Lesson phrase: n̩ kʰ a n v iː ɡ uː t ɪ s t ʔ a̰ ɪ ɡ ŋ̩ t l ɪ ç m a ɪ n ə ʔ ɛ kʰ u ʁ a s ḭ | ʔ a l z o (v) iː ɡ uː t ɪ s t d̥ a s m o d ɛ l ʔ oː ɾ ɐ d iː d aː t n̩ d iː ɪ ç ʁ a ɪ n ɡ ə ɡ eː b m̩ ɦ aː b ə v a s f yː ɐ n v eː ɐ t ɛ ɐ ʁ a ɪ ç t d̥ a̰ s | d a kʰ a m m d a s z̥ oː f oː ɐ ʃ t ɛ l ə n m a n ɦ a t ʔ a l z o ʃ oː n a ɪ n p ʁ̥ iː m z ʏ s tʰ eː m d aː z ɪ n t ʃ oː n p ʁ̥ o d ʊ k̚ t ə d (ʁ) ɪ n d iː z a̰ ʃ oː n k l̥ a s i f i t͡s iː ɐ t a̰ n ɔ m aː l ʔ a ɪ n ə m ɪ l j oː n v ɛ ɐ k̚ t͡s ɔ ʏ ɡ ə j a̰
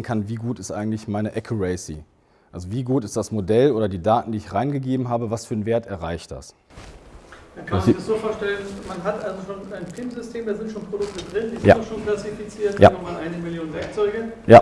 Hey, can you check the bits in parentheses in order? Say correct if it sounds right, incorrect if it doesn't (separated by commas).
correct, correct